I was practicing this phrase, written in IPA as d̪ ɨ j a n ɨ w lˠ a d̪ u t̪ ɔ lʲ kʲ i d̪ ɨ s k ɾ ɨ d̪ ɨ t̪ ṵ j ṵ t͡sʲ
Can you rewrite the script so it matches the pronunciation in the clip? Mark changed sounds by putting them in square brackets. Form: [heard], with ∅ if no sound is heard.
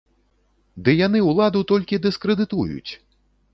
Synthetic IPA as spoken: d̪ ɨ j a n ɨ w lˠ a d̪ u t̪ ɔ lʲ kʲ i d̪ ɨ s k ɾ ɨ d̪ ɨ t̪ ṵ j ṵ t͡sʲ

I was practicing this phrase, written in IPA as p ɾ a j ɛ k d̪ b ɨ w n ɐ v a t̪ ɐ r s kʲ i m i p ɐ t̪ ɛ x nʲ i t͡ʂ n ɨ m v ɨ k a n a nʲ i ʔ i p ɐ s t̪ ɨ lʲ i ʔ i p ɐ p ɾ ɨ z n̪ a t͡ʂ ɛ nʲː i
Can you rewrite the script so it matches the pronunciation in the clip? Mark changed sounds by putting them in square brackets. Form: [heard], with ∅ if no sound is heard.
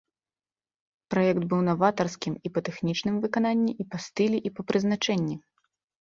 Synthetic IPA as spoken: p ɾ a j ɛ k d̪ b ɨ w n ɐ v a t̪ ɐ r s kʲ i m i p ɐ t̪ ɛ x nʲ i t͡ʂ n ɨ m v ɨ k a n a [nʲː] i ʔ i p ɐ s t̪ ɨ lʲ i ʔ i p ɐ p ɾ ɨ z n̪ a t͡ʂ ɛ nʲː i

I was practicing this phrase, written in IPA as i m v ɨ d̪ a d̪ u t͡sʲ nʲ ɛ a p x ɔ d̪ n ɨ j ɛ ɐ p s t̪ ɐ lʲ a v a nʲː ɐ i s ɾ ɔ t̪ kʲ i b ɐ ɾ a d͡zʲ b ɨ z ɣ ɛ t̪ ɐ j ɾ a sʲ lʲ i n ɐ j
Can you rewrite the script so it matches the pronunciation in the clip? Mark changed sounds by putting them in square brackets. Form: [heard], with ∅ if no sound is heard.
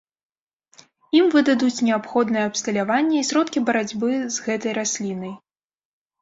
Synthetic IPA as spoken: i m v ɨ d̪ a d̪ u t͡sʲ nʲ ɛ a p x ɔ d̪ n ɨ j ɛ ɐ p s t̪ ɐ lʲ a v a nʲː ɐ i s ɾ ɔ t̪ kʲ i b ɐ ɾ a d͡zʲ b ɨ z ɣ ɛ t̪ ɐ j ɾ a sʲ lʲ i n ɐ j

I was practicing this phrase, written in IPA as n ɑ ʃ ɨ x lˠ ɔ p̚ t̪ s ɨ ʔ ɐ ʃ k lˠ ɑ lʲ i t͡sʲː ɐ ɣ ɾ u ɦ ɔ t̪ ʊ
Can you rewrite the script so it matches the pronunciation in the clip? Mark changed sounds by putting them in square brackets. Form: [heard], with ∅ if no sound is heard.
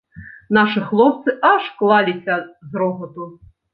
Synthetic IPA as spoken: n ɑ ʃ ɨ x lˠ ɔ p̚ t̪ s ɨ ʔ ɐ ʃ k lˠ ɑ lʲ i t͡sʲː ɐ [z] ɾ [ɔ] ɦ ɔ t̪ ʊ

